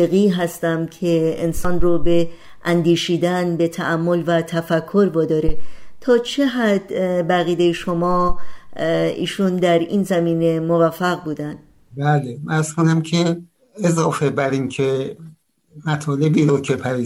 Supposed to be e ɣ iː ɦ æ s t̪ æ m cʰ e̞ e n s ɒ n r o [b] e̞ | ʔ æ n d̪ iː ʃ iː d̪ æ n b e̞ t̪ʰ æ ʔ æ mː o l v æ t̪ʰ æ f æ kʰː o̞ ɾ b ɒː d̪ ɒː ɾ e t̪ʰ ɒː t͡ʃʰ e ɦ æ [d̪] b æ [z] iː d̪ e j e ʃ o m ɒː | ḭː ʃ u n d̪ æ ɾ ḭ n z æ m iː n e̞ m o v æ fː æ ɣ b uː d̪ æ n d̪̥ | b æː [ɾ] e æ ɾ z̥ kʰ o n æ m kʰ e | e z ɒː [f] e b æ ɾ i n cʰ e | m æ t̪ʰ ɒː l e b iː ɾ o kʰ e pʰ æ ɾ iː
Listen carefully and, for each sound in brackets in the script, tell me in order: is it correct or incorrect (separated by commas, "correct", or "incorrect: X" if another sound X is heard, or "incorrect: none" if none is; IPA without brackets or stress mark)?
correct, correct, incorrect: ɣ, incorrect: l, correct